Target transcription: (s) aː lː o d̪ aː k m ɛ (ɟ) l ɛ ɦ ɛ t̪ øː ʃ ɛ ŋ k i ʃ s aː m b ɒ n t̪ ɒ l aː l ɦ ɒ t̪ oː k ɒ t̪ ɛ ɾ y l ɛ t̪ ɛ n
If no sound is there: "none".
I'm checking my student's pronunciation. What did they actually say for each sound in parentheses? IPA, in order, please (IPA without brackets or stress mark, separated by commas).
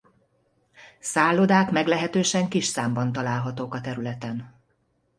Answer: s, ɡ